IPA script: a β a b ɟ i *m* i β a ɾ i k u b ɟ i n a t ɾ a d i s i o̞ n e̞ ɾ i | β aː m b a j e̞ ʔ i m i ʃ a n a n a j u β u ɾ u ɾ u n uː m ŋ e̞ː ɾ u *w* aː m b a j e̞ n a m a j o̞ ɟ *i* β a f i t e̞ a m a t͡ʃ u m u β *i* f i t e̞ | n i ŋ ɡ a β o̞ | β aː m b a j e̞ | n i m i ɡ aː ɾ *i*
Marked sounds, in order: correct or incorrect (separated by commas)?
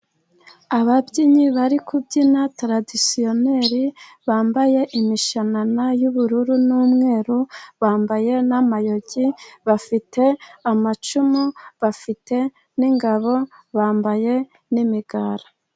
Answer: incorrect, incorrect, correct, incorrect, incorrect